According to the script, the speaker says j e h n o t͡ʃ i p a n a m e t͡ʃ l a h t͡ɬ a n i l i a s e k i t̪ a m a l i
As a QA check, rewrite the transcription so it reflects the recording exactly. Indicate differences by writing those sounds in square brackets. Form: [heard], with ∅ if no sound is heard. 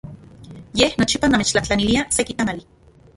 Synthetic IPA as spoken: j e h n o t͡ʃ i p a n a m e t͡ʃ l a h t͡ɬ a n i l i a s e k i t̪ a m a l i